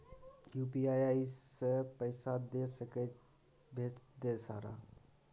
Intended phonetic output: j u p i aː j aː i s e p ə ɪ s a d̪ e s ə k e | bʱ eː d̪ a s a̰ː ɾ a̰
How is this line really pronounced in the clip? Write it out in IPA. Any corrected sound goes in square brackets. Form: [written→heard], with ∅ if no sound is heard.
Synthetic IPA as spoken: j u p i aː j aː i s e p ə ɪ s a d̪ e s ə k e | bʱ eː d̪ [a→e] s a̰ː ɾ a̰